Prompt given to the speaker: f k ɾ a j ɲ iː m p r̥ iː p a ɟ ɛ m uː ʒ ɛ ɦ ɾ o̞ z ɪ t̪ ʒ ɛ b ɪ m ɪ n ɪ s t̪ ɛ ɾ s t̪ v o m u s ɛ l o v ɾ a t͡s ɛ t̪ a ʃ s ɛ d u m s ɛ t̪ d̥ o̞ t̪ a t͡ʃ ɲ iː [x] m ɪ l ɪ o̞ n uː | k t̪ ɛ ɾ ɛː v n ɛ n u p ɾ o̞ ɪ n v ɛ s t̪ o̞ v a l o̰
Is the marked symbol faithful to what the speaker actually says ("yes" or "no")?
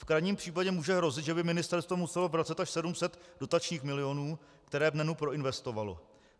yes